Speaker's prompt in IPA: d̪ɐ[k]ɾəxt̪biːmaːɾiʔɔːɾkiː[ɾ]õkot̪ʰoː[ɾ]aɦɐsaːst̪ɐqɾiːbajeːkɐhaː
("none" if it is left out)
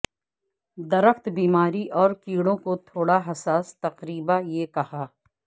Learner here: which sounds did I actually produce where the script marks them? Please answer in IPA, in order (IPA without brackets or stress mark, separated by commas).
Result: none, ɽ, ɽ